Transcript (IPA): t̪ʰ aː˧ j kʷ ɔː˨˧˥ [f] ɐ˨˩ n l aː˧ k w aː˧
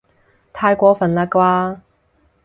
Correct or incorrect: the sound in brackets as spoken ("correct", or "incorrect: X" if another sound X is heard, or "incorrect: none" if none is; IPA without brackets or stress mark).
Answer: correct